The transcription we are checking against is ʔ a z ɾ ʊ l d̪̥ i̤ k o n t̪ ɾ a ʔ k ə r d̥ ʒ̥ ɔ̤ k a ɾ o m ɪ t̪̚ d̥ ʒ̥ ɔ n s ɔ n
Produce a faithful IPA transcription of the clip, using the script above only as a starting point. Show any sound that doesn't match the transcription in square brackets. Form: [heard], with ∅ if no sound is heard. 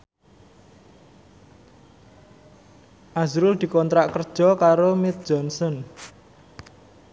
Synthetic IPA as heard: ʔ a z ɾ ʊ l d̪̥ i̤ k [ɔ] n t̪ ɾ a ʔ k ə r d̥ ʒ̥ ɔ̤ k a ɾ o m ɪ t̪̚ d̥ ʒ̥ ɔ n s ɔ n